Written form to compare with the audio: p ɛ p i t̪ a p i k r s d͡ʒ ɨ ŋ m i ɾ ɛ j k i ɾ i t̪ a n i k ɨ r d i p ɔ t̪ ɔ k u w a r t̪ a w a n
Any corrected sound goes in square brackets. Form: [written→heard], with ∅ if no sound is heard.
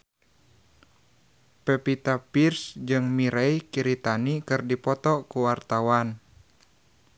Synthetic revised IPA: p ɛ p i t̪ a p i [k→∅] r s d͡ʒ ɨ ŋ m i ɾ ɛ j k i ɾ i t̪ a n i k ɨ r d i p ɔ t̪ ɔ k u w a r t̪ a w a n

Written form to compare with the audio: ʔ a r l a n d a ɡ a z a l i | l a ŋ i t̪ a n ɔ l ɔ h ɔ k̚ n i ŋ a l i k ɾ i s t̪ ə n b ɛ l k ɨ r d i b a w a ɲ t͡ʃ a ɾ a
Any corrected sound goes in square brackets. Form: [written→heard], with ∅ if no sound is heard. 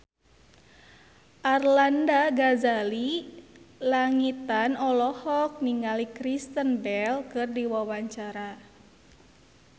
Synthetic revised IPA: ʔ a r l a n d a ɡ a z a l i | l a ŋ i t̪ a n ɔ l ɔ h ɔ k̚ n i ŋ a l i k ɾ i s t̪ ə n b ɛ l k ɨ r d i [b→w] a w a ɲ t͡ʃ a ɾ a

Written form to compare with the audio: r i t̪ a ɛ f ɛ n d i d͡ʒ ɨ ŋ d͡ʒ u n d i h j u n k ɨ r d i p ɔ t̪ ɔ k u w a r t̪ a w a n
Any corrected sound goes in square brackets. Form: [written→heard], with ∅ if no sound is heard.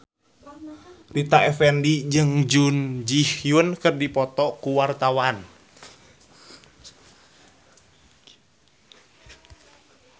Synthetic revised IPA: r i t̪ a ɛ f ɛ n d i d͡ʒ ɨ ŋ d͡ʒ u n [d→d͡ʒ] i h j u n k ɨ r d i p ɔ t̪ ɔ k u w a r t̪ a w a n

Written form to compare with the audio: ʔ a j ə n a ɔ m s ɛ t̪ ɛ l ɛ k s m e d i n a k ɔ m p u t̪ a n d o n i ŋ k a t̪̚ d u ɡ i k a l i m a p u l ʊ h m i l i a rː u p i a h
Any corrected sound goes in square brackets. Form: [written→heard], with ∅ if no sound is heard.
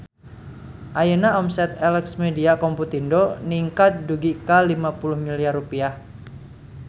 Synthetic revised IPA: ʔ a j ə n a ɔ m s ɛ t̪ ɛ l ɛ k s m e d i [n→∅] a k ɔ m p u t̪ [a→i] n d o n i ŋ k a t̪̚ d u ɡ i k a l i m a p u l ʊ h m i l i a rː u p i a h

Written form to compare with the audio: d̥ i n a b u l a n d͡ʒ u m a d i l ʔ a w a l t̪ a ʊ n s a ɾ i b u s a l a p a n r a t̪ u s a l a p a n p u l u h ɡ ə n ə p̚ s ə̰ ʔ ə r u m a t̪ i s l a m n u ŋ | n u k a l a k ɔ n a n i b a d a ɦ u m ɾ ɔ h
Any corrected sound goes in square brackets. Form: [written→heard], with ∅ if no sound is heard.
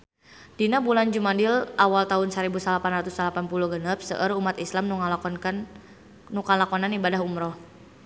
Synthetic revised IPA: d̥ i n a b u l a n d͡ʒ u m a d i l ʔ a w a l t̪ a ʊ n s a ɾ i b u s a l a p a n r a t̪ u s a l a p a n p u l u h ɡ ə n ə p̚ s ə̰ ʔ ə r u m a t̪ i s l a m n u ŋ | n u k a l a k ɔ n a n i b a d a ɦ u m ɾ ɔ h

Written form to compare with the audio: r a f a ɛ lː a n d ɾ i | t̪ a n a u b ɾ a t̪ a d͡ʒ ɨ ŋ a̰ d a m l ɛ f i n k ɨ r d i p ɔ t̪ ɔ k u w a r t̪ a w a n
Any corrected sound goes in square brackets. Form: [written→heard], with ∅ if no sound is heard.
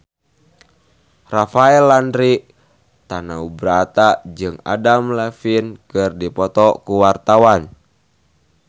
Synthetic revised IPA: r a f a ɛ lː a n d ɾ i | t̪ a n a u b ɾ a t̪ a d͡ʒ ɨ ŋ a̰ d a m l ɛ f i n k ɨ r d i p ɔ t̪ ɔ k u w a r t̪ a w a n

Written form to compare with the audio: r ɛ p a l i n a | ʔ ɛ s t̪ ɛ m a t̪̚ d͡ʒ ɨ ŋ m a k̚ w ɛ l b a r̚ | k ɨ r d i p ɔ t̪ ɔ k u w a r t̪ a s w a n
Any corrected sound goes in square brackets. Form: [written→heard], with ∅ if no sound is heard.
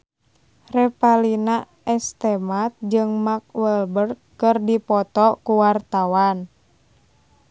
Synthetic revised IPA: r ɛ p a l i n a | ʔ ɛ s t̪ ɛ m a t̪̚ d͡ʒ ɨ ŋ m a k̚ w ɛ l b [a→ə] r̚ | k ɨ r d i p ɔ t̪ ɔ k u w a r t̪ a [s→∅] w a n

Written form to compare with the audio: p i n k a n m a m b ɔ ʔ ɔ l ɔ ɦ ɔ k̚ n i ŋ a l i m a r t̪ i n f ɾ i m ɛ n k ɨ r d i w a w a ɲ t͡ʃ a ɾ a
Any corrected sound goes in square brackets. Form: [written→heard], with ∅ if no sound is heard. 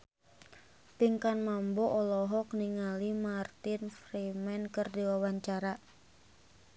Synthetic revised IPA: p i [n→ŋ] k a n m a m b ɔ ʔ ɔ l ɔ ɦ ɔ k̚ n i ŋ a l i m a r t̪ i n f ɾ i m ɛ n k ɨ r d i w a w a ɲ t͡ʃ a ɾ a

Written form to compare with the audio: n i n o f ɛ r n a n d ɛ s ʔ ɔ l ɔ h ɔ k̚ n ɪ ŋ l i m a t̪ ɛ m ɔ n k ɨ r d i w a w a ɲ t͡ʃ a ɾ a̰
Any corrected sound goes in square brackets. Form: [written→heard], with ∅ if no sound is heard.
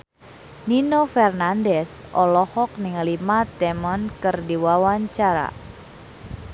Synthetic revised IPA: n i n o f ɛ r n a n d ɛ s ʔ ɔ l ɔ h ɔ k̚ n ɪ ŋ l i m a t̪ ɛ m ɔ n k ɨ r d i w a w a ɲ t͡ʃ a ɾ a̰

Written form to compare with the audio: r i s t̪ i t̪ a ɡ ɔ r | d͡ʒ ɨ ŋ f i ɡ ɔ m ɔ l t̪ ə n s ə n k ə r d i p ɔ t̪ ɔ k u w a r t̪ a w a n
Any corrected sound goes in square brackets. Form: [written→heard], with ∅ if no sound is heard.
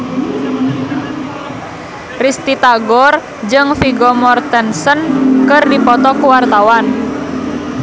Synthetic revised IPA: r i s t̪ i t̪ a ɡ ɔ r | d͡ʒ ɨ ŋ f i ɡ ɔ m ɔ [l→r] t̪ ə n s ə n k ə r d i p ɔ t̪ ɔ k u w a r t̪ a w a n

